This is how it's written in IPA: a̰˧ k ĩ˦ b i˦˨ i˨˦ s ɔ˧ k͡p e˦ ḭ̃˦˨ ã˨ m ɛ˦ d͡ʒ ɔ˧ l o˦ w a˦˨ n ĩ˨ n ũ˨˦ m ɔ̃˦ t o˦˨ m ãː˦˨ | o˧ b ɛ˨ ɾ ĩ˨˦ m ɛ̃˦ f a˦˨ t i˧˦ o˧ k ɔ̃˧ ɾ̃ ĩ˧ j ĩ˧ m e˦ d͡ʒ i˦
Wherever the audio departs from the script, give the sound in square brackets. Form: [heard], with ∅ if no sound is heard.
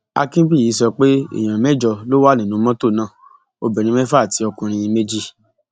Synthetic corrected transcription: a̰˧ k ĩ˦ b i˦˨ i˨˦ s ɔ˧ k͡p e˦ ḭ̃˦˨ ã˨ m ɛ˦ d͡ʒ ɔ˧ l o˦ w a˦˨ n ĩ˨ n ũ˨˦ m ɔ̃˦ t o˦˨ [n] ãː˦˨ | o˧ b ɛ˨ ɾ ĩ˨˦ m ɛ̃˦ f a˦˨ t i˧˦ [ɔ˧] k [ũ˧] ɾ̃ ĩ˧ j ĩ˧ m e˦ d͡ʒ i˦